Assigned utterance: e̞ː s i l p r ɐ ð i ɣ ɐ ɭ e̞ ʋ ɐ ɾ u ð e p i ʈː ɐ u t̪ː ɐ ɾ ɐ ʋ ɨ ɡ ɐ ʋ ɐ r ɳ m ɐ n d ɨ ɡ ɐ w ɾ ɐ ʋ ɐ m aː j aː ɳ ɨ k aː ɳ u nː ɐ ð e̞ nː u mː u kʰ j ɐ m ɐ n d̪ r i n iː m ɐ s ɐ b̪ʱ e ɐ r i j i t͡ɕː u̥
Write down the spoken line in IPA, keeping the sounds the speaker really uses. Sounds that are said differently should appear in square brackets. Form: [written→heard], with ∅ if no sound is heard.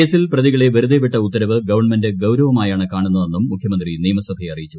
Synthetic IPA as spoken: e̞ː s i l p r ɐ ð i ɣ ɐ ɭ e̞ ʋ ɐ ɾ u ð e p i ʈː ɐ u t̪ː ɐ ɾ ɐ ʋ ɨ ɡ ɐ ʋ ɐ r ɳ m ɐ n d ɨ ɡ ɐ w ɾ ɐ ʋ ɐ m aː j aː ɳ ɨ k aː ɳ u nː ɐ ð e̞ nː u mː u kʰ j ɐ m ɐ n d̪ r i n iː m ɐ s ɐ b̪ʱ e ɐ r i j i t͡ɕː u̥